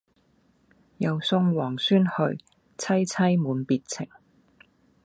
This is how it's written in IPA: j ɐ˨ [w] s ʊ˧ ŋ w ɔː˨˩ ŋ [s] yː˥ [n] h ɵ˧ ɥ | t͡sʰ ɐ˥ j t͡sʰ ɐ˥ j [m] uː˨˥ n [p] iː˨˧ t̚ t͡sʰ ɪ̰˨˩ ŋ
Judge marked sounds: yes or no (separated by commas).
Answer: yes, yes, yes, yes, yes